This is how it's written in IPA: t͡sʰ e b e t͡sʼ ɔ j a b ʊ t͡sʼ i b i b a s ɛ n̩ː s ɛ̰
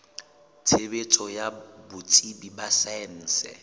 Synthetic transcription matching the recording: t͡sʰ e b e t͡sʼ ɔ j a b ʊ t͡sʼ i b i b a s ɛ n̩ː s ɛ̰